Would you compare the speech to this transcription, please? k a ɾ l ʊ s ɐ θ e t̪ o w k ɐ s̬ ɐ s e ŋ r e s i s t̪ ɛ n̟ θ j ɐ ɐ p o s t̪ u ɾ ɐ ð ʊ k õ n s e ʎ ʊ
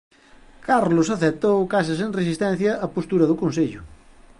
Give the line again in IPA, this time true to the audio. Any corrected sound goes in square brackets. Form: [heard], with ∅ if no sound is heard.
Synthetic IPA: k a ɾ l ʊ s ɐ θ e t̪ o w k [a] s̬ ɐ s e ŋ r e s i s t̪ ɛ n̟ θ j ɐ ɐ p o s t̪ u ɾ ɐ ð ʊ k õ n s e ʎ ʊ